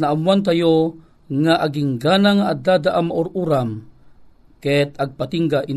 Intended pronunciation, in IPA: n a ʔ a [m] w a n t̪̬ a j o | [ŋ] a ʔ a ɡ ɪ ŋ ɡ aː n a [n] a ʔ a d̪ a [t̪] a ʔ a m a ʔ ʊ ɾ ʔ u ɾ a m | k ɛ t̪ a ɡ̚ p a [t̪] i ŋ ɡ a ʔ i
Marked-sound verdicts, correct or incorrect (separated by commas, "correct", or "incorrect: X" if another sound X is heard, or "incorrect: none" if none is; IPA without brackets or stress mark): correct, correct, incorrect: ŋ, incorrect: d̪, correct